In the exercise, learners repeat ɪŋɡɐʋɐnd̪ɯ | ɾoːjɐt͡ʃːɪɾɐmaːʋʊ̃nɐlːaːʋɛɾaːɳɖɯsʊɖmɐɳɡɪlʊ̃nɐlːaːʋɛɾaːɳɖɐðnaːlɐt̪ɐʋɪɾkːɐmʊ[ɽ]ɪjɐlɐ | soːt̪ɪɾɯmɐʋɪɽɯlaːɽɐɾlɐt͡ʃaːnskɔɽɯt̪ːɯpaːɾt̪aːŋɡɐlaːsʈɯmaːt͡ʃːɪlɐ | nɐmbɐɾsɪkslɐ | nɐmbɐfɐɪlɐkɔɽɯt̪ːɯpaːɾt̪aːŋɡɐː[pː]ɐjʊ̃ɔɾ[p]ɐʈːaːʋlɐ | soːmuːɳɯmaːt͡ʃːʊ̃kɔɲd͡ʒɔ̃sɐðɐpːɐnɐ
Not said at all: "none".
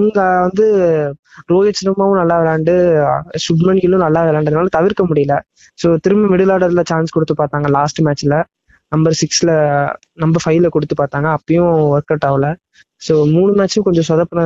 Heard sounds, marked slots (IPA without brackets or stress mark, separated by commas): ɽ, pː, k